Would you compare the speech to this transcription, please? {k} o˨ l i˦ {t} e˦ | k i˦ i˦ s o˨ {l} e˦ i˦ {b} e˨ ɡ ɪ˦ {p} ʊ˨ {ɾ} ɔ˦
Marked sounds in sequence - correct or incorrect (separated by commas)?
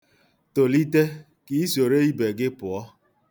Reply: incorrect, correct, incorrect, correct, correct, incorrect